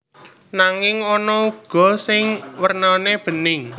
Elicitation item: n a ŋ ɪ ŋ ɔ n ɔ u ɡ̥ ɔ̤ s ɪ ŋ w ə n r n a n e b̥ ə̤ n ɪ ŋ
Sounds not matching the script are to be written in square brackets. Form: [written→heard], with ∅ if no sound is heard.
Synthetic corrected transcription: n a ŋ ɪ ŋ ɔ n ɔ u ɡ̥ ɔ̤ s ɪ ŋ w ə [n→∅] r n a n e b̥ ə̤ n ɪ ŋ